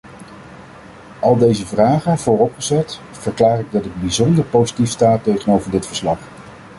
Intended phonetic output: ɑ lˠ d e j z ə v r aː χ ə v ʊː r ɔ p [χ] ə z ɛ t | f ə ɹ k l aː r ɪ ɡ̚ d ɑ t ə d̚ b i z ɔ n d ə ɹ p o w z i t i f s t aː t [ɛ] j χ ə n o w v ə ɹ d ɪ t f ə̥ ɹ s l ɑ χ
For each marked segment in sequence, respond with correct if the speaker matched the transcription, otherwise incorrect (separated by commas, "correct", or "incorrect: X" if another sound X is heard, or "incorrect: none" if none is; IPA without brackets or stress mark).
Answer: correct, incorrect: e